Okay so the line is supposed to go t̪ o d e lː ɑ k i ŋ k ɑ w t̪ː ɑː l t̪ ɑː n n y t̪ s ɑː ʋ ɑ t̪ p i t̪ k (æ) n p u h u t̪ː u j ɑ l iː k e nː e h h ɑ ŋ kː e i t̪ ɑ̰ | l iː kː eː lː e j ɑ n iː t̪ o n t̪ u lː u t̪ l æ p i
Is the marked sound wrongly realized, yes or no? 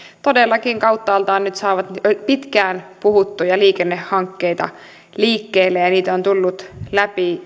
yes